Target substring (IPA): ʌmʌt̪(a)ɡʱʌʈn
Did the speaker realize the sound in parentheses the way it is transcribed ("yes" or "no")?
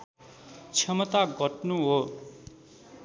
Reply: yes